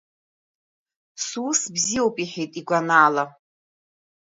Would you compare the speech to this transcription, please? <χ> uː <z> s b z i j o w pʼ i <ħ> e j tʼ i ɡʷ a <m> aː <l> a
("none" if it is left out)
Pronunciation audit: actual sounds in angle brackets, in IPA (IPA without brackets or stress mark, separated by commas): s, none, ħ, n, l